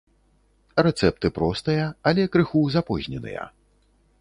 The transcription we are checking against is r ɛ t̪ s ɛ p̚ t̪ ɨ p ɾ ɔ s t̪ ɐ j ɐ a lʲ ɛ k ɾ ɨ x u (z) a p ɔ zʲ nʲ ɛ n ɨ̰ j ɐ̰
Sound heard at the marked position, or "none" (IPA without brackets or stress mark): z